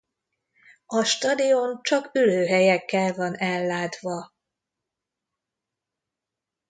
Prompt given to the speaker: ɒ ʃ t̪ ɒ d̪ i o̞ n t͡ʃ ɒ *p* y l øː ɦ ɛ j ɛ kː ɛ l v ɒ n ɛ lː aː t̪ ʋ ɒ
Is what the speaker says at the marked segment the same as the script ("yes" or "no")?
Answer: no